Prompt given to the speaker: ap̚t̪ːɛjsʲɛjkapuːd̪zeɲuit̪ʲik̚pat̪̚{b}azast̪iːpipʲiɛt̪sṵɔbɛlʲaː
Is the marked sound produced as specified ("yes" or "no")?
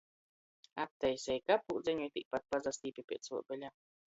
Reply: no